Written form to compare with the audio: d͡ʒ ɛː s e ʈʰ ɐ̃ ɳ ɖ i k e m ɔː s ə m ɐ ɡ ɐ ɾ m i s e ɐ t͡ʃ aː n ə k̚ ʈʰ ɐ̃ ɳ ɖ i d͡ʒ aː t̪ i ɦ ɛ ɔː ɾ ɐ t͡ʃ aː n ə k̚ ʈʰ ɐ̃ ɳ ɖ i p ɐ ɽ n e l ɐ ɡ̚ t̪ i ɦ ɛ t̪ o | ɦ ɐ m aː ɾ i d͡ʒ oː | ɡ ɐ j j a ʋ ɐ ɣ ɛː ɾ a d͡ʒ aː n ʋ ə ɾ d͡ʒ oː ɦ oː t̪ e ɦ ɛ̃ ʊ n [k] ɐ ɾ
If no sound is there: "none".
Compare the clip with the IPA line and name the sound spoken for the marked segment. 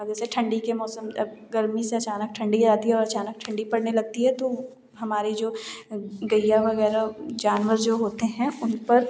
p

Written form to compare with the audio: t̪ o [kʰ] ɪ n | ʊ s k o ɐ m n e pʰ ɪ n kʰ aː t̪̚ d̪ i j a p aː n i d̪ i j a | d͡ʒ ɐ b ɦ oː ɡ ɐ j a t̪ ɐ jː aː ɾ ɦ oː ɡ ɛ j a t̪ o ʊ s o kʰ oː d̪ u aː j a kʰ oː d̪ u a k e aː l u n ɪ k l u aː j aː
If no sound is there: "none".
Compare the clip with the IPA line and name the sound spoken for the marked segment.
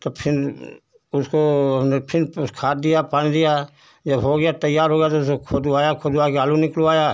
pʰ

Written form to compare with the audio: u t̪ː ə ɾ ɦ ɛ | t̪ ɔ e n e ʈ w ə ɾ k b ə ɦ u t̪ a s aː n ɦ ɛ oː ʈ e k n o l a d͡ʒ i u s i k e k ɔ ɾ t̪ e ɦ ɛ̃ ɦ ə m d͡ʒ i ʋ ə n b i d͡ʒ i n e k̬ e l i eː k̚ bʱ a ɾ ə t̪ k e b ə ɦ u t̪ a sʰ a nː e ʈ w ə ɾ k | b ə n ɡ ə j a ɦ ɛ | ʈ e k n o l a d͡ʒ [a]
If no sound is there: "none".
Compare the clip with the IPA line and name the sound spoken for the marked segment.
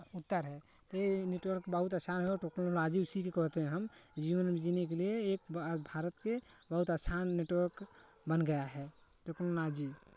i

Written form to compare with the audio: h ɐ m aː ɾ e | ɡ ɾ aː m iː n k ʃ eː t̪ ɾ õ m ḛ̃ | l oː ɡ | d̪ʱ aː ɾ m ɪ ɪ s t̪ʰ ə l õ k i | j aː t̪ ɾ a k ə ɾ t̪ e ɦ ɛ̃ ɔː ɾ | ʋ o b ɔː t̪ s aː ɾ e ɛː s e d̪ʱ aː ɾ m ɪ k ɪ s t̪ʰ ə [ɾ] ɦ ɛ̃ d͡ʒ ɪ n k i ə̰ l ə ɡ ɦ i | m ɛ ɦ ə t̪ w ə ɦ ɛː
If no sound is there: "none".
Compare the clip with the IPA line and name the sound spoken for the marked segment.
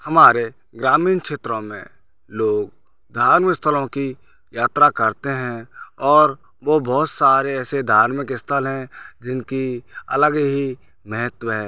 l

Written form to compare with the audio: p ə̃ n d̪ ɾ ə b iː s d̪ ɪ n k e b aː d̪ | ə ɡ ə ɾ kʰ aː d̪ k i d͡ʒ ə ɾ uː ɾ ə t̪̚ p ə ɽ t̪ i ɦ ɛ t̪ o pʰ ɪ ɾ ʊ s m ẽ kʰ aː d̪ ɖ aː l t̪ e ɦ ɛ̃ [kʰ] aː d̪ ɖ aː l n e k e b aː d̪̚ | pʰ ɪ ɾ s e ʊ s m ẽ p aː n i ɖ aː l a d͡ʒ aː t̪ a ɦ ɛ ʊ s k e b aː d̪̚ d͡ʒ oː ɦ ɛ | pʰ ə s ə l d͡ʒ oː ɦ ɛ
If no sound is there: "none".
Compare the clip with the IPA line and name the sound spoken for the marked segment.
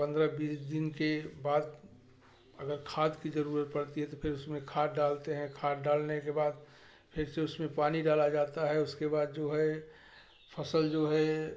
kʰ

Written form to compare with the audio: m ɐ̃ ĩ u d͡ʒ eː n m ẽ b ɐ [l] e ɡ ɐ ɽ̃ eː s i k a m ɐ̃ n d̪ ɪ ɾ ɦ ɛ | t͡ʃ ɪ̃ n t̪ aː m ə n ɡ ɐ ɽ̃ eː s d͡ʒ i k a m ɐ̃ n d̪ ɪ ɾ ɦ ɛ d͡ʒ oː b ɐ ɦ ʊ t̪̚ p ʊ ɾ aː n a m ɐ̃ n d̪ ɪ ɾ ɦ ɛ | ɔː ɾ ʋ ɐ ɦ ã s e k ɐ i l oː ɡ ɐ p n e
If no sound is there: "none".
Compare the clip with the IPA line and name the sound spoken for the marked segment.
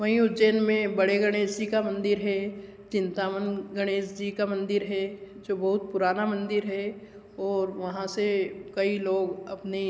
ɽ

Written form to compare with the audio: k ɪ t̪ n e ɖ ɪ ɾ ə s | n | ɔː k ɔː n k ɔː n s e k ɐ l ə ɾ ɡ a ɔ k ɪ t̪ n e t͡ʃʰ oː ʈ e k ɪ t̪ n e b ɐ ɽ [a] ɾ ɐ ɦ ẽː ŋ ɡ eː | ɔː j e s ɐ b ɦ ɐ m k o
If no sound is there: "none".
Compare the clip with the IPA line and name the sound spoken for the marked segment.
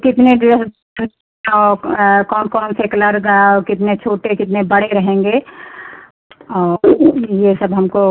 e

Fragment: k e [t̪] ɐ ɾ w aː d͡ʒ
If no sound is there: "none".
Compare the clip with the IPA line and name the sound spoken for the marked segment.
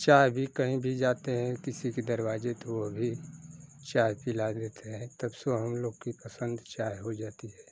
d̪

